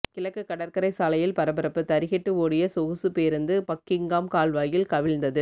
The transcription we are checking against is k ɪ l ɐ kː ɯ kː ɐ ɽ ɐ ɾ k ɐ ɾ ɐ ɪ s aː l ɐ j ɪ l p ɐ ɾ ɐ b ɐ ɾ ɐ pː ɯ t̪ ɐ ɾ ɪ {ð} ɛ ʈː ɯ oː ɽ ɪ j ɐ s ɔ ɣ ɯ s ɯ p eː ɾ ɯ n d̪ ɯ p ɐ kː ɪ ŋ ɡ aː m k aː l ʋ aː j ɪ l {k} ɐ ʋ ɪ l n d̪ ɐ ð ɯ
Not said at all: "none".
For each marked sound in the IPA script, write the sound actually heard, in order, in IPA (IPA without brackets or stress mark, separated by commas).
ɣ, k